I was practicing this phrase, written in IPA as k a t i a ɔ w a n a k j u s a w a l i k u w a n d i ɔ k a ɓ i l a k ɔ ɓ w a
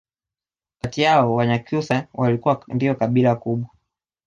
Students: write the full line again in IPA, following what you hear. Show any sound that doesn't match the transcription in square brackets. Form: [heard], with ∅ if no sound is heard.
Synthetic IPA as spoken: k a t i a ɔ w a [ɲ] a k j u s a w a l i k u w a n d i ɔ k a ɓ i l a k [u] ɓ w a